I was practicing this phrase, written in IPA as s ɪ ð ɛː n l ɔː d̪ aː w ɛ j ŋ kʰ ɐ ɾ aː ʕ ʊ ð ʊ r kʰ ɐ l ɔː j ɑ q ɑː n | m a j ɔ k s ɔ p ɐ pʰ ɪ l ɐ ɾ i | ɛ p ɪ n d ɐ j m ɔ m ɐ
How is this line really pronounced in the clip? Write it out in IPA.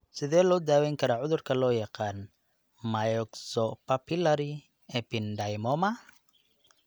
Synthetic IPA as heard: s ɪ ð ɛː l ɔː d̪ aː w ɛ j ŋ kʰ ɐ ɾ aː ʕ ʊ ð ʊ r kʰ ɐ l ɔː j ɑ q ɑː n | m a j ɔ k s ɔ p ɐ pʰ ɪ l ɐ ɾ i | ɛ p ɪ n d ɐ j m ɔ m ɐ